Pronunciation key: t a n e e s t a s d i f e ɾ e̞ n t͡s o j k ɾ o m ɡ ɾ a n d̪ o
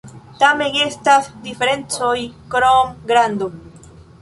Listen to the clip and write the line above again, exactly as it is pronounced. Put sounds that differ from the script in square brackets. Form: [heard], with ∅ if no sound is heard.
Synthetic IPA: t a [m] e e s t a s d i f e ɾ e̞ n t͡s o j k ɾ o m ɡ ɾ a n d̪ o